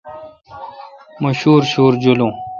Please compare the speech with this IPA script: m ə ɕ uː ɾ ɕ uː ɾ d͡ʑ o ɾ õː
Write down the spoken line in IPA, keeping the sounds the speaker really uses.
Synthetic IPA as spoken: m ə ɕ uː ɾ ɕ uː ɾ d͡ʑ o l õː